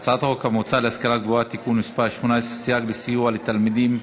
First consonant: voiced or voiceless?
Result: voiceless